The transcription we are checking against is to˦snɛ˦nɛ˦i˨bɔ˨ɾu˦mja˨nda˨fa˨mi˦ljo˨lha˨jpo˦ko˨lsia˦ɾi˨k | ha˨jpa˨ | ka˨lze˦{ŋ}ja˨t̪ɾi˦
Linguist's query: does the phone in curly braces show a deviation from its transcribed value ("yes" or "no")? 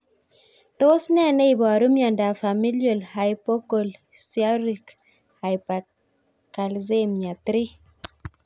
yes